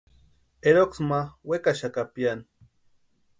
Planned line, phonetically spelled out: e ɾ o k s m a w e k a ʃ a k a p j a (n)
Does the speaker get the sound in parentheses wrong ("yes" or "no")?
no